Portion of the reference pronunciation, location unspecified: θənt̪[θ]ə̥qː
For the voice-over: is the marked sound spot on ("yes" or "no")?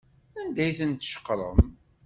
no